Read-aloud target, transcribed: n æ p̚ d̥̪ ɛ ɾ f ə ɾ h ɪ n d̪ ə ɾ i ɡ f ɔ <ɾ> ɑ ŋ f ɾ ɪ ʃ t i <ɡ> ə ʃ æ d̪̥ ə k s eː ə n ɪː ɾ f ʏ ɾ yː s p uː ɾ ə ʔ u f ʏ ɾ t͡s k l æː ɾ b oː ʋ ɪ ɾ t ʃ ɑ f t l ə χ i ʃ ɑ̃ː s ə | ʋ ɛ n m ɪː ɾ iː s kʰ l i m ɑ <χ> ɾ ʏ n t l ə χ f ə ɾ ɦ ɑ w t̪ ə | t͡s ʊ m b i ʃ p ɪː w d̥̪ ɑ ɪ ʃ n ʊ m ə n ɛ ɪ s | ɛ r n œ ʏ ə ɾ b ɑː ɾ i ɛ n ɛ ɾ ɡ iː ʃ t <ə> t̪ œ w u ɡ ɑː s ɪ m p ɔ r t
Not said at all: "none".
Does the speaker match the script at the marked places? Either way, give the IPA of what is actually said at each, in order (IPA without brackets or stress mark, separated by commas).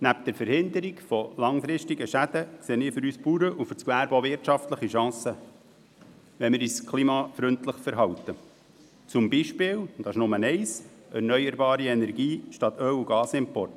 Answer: l, ɡ, f, ɑ